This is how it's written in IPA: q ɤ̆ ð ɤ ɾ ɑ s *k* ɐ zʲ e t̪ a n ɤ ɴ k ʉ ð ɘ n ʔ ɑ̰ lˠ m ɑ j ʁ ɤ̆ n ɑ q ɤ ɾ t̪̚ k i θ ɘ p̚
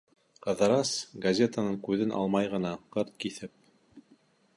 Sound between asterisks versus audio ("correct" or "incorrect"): incorrect